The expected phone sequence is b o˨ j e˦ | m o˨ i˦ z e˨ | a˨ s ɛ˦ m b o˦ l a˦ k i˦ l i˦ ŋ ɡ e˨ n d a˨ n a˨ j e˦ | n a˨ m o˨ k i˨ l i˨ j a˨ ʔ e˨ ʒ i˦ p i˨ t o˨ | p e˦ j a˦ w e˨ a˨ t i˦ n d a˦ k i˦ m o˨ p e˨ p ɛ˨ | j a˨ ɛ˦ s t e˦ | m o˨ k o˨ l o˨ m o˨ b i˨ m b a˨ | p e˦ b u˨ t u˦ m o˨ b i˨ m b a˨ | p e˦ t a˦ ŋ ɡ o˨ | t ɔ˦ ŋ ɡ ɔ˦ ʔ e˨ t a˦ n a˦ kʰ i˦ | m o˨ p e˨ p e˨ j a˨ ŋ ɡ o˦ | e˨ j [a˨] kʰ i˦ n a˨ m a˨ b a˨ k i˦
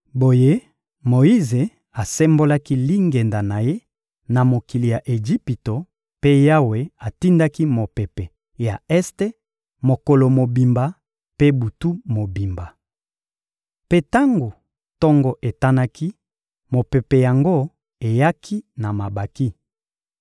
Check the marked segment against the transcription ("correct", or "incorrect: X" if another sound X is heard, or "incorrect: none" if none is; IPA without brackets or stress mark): incorrect: a˦